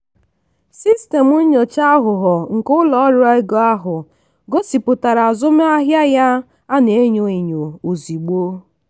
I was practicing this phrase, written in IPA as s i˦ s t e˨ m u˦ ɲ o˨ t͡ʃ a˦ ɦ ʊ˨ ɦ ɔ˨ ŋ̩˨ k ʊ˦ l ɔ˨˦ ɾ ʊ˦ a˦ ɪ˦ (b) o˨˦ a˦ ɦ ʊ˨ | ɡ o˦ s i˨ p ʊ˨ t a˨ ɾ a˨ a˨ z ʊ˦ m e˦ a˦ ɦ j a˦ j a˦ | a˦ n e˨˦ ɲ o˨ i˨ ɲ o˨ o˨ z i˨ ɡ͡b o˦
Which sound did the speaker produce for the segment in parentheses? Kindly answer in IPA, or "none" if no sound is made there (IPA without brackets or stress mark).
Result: ɡ